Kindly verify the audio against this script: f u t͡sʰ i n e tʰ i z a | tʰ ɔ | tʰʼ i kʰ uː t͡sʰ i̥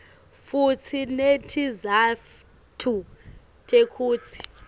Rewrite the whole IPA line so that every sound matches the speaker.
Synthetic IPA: f u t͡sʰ i n e tʰ i z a | tʰ u | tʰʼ e kʰ uː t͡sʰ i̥